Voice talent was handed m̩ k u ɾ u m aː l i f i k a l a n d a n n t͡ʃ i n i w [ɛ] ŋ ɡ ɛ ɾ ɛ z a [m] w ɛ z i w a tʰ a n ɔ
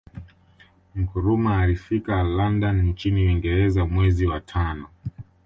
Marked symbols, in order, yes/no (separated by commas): no, yes